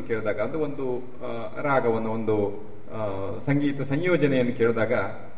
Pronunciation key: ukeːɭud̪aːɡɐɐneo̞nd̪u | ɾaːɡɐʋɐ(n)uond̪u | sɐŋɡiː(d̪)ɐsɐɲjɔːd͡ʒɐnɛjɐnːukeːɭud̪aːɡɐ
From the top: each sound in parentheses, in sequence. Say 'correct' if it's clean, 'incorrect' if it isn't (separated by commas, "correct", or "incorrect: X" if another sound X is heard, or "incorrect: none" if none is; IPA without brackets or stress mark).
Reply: incorrect: nː, incorrect: t̪